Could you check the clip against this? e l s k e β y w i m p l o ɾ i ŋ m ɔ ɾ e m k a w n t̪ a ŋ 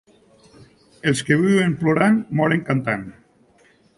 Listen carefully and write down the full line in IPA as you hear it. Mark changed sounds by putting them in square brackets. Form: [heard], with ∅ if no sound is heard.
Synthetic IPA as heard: e l s k e β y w [e] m p l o ɾ [a] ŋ m ɔ ɾ e [ŋ] k a [∅] n t̪ a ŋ